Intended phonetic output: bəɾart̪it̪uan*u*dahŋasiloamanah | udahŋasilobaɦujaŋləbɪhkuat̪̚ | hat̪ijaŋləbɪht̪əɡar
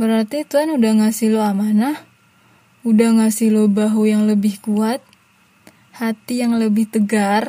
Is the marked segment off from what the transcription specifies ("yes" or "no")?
no